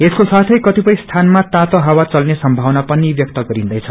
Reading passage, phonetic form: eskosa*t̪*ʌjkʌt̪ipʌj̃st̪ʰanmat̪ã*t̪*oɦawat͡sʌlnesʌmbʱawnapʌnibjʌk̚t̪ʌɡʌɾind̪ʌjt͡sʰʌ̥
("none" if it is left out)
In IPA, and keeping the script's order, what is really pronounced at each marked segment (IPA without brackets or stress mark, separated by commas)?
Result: t̪ʰ, t̪